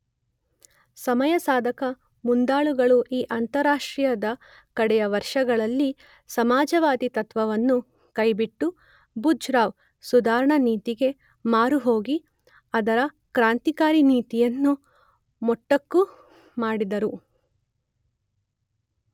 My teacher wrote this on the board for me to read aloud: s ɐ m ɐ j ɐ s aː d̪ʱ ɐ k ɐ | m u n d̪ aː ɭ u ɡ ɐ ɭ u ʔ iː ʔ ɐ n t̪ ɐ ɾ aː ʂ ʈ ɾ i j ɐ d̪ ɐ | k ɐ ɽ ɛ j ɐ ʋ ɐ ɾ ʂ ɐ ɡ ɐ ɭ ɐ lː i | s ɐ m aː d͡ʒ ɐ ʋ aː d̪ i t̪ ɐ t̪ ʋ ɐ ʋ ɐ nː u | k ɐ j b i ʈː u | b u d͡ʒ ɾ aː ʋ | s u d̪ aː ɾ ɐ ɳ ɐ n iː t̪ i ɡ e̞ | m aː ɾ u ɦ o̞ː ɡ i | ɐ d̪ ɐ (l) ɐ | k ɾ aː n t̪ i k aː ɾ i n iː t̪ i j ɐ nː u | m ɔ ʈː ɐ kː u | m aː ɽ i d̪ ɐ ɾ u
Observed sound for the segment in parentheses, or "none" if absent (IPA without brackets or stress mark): ɾ